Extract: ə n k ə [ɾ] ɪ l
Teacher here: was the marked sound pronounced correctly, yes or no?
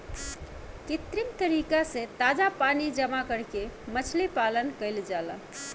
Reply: no